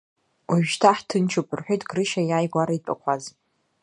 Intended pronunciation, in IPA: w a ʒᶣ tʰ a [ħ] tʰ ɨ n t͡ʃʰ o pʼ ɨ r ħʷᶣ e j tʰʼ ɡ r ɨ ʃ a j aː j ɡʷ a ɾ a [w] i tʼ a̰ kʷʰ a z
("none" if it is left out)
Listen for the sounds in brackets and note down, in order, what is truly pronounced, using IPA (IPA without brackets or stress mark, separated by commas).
ħ, none